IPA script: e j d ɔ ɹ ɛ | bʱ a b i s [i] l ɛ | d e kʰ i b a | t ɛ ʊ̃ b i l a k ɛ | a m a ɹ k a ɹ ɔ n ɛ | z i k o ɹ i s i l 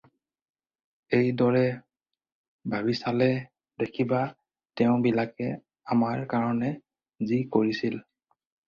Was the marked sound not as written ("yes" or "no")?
yes